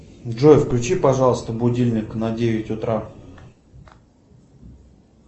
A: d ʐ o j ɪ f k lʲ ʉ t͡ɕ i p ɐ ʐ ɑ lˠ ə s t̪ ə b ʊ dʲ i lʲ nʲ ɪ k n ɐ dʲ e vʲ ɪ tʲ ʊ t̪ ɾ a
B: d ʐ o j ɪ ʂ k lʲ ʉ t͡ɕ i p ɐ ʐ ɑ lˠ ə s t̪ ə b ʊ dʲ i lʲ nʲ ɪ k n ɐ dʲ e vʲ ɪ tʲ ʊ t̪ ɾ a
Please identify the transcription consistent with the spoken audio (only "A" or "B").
A